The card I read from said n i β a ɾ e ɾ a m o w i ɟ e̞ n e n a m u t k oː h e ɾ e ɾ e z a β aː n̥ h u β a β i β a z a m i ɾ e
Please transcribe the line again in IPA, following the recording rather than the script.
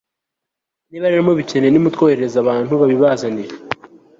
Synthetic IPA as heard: n i β a ɾ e ɾ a m o β i c e̞ n e n i m u t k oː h e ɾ e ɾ e z a β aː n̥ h u β a β i β a z a n i ɾ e